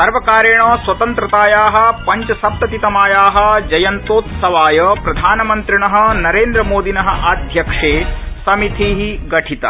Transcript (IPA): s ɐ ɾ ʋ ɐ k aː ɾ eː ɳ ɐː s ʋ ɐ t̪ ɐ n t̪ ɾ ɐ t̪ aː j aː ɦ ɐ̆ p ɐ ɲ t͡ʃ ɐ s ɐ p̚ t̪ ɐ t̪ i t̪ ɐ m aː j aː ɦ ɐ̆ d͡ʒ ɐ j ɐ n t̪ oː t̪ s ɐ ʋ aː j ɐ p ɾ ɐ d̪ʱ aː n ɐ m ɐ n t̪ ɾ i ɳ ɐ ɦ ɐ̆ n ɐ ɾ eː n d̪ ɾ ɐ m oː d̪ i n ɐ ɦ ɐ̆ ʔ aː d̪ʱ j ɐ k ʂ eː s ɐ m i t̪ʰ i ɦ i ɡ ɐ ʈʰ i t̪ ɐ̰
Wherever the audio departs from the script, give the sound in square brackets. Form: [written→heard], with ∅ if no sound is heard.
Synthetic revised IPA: s ɐ ɾ ʋ ɐ k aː ɾ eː ɳ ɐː s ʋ ɐ t̪ ɐ n t̪ ɾ ɐ t̪ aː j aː ɦ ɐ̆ p ɐ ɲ t͡ʃ ɐ s ɐ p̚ t̪ ɐ t̪ i t̪ ɐ m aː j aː ɦ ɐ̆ d͡ʒ ɐ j ɐ n t̪ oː t̪ s ɐ ʋ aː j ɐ p ɾ ɐ d̪ʱ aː n ɐ m ɐ n t̪ ɾ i ɳ ɐ ɦ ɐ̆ n ɐ ɾ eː n d̪ ɾ ɐ m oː d̪ i n ɐ ɦ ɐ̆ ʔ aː d̪ʱ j ɐ k ʂ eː s ɐ m i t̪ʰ i ɦ i ɡ ɐ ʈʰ i t̪ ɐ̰